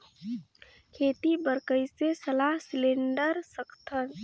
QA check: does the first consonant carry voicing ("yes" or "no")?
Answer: no